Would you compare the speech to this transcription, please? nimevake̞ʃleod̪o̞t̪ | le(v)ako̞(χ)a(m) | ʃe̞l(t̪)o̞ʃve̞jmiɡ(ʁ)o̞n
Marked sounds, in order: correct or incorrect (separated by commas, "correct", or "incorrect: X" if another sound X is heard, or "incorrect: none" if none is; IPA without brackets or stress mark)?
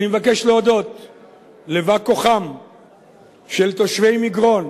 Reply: correct, correct, correct, correct, correct